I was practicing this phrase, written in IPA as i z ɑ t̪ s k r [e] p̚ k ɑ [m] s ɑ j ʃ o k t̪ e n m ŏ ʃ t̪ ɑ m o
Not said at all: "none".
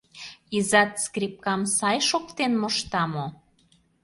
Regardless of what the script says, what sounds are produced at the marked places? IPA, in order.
i, m

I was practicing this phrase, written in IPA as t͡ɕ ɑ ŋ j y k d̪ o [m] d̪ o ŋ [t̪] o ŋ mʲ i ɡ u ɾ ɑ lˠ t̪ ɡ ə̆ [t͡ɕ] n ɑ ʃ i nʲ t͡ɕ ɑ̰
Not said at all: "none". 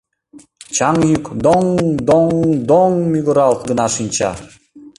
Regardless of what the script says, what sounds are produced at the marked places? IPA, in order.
ŋ, d̪, none

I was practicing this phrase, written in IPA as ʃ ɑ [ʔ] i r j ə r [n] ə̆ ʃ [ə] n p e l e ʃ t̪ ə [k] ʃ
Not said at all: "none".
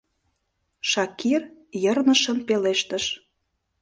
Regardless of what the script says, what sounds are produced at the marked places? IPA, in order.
k, n, ə, none

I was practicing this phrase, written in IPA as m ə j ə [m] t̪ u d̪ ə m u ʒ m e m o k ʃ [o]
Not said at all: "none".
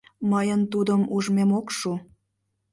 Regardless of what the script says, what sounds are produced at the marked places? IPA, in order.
n, u

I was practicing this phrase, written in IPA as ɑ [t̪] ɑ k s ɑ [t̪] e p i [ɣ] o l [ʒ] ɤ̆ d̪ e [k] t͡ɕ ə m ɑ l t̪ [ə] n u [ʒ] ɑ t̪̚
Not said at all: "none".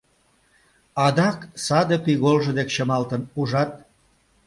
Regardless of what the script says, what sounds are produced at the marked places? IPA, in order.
d̪, d̪, ɣ, ʒ, k, ə, ʒ

